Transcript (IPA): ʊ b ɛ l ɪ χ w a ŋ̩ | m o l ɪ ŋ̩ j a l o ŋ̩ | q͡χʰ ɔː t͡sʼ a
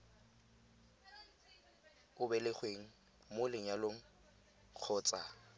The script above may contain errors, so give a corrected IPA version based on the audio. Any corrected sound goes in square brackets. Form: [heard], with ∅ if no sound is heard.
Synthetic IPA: ʊ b ɛ l ɪ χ w [e] ŋ̩ | m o l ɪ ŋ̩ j a l o ŋ̩ | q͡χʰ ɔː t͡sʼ a